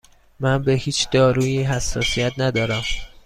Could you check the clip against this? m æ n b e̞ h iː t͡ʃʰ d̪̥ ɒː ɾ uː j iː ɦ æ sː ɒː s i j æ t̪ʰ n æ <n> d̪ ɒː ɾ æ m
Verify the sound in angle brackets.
incorrect: none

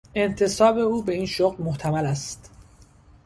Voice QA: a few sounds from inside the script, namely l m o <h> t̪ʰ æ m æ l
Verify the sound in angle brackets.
correct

